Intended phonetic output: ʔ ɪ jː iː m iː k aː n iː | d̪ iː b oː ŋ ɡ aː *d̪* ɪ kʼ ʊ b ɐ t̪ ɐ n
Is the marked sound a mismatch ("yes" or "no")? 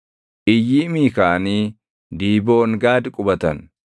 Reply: no